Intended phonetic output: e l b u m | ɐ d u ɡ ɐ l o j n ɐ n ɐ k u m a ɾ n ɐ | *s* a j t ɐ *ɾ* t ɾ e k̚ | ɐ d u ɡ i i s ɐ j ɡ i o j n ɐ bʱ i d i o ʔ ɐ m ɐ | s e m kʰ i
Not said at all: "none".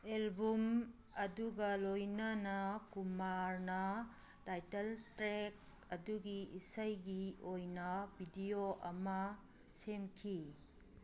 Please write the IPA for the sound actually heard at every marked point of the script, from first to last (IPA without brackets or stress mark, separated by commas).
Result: t, l